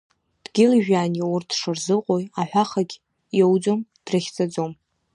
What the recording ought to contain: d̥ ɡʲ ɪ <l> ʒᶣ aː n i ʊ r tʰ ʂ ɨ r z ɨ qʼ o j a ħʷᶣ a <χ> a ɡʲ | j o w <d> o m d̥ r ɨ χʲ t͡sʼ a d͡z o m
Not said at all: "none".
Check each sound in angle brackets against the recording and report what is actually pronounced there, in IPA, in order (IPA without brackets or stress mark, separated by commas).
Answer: l, χ, d͡z